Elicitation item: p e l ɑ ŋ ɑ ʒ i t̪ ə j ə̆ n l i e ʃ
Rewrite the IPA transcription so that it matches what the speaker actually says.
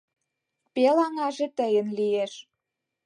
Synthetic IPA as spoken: p e l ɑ ŋ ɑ ʒ e t̪ ə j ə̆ n l i e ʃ